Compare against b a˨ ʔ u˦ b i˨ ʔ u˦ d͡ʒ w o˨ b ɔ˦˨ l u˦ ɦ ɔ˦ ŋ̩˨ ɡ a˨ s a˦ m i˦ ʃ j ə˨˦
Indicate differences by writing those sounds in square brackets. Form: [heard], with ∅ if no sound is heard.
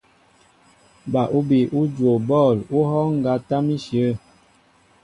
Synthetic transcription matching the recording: b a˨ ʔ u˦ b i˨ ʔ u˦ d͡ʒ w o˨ b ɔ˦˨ l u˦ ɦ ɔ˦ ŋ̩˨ ɡ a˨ [t] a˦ m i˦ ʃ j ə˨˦